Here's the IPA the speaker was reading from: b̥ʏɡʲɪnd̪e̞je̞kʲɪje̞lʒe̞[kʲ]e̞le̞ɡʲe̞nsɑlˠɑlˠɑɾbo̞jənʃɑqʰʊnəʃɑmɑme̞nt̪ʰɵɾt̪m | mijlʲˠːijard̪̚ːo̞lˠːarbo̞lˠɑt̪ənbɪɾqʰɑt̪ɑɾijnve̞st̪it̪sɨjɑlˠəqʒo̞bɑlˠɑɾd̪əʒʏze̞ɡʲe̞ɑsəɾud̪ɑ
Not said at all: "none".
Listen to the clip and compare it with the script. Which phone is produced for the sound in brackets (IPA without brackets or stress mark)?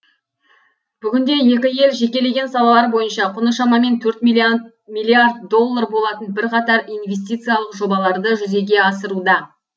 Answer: kʲ